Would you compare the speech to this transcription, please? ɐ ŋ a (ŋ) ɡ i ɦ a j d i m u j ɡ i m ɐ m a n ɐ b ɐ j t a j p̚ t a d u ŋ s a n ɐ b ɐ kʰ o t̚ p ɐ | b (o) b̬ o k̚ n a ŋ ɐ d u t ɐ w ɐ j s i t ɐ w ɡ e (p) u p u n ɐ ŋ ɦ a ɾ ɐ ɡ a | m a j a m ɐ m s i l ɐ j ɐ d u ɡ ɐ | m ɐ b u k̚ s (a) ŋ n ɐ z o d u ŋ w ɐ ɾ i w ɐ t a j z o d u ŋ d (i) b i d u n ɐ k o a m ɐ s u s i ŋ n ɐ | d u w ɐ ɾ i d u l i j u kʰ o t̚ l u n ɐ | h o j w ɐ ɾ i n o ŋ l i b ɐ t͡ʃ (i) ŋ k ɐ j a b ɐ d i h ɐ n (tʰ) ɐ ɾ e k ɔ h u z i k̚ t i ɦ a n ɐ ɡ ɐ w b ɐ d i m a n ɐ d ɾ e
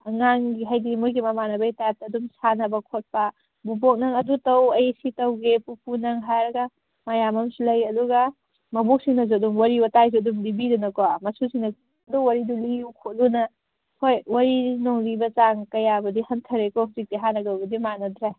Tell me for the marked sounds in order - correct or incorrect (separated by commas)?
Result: correct, incorrect, correct, incorrect, correct, incorrect, correct